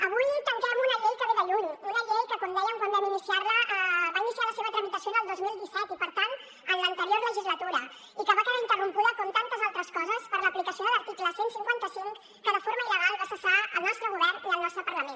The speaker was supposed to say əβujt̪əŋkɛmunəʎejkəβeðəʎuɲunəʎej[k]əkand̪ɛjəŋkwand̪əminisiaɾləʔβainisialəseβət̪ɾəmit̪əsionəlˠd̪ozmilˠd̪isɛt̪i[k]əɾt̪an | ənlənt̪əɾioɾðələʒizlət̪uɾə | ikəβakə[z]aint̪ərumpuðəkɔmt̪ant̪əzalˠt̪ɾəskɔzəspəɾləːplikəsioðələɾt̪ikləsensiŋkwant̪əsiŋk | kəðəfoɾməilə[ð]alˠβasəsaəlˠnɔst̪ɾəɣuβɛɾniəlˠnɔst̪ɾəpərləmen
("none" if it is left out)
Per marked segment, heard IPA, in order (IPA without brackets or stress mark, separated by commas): k, p, ð, ɣ